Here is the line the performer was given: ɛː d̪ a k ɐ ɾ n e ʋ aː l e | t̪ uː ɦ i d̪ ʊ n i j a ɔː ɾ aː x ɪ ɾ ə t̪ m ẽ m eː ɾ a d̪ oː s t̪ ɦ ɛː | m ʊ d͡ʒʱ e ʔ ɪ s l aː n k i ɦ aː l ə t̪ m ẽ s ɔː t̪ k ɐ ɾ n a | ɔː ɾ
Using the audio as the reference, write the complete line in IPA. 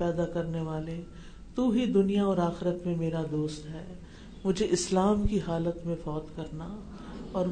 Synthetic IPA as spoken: ɛː d̪ a k ɐ ɾ n e ʋ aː l e | t̪ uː ɦ i d̪ ʊ n i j a ɔː ɾ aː x ɪ ɾ ə t̪ m ẽ m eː ɾ a d̪ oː s t̪ ɦ ɛː | m ʊ d͡ʒʱ e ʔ ɪ s l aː m k i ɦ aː l ə t̪ m ẽ f ɔː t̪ k ɐ ɾ n a | ɔː ɾ